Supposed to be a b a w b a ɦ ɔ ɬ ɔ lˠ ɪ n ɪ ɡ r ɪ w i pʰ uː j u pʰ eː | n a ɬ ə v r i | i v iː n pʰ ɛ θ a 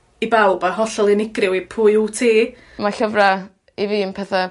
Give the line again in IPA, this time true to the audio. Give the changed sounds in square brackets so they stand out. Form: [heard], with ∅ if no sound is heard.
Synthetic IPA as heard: [i] b a w b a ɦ ɔ ɬ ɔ lˠ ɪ n ɪ ɡ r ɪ w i pʰ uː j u [tʰ] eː | [m] a ɬ ə v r [a] | i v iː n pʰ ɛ θ a